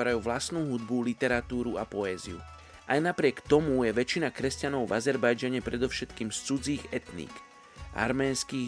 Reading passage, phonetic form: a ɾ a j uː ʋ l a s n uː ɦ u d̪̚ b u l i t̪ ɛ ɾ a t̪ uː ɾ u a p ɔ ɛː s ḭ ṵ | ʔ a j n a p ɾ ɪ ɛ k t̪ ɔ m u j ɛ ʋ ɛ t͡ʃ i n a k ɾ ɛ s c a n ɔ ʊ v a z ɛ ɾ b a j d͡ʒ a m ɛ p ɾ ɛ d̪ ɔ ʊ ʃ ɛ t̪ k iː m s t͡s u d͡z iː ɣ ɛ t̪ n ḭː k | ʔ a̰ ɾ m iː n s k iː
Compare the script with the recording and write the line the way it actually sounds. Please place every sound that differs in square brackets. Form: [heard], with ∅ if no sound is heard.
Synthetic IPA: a ɾ a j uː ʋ l a s n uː ɦ u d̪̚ b u l i t̪ ɛ ɾ a t̪ uː ɾ u a p ɔ ɛː [z] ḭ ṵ | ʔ a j n a p ɾ ɪ ɛ k t̪ ɔ m u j ɛ ʋ ɛ t͡ʃ i n a k ɾ ɛ s c a n ɔ ʊ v a z ɛ ɾ b a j d͡ʒ a [ɲ] ɛ p ɾ ɛ d̪ ɔ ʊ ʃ ɛ t̪ k iː m s t͡s u d͡z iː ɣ ɛ t̪ n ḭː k | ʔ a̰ ɾ m [ɛː] n s k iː